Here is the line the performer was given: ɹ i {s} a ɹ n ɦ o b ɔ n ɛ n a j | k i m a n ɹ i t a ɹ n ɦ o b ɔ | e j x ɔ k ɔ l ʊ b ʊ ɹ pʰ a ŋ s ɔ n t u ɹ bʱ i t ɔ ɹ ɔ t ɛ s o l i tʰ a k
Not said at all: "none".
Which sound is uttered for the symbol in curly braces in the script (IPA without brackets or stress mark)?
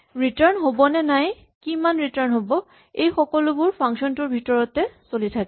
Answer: t